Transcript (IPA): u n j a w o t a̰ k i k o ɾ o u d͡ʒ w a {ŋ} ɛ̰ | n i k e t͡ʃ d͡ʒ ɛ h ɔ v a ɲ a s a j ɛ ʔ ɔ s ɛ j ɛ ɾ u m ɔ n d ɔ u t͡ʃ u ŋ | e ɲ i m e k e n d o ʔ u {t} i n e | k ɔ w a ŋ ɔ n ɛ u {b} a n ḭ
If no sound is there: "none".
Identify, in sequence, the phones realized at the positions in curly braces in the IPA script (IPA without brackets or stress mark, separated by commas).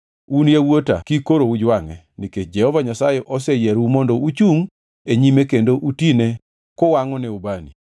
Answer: ŋ, t, b